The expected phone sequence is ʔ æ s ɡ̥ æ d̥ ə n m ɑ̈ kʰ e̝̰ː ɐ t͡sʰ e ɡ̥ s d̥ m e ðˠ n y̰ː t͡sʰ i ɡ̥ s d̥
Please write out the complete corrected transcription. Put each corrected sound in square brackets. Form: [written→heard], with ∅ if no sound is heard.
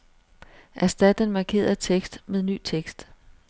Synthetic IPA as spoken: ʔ æ s [ɡ̥→d̥] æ d̥ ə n m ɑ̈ kʰ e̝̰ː ɐ t͡sʰ e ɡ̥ s d̥ m e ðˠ n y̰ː t͡sʰ [i→e] ɡ̥ s d̥